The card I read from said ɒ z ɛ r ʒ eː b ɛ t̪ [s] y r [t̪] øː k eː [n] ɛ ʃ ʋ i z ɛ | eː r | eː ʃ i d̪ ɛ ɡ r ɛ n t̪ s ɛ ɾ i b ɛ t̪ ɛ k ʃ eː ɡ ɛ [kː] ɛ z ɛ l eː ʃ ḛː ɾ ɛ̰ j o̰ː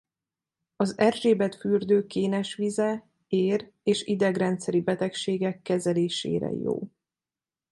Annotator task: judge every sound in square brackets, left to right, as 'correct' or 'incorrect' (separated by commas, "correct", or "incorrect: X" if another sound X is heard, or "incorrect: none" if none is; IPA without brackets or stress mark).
incorrect: f, incorrect: d̪, correct, correct